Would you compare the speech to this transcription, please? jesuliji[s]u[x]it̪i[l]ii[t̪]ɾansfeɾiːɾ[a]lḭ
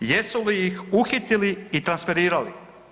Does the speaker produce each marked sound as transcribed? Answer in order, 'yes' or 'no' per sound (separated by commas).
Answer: no, yes, yes, yes, yes